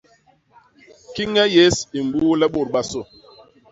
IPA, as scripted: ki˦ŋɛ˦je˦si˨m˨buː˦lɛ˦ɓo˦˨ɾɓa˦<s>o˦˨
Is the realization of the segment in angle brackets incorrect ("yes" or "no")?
no